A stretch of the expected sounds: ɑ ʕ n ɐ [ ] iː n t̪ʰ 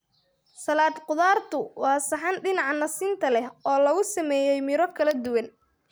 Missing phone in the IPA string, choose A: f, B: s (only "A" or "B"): B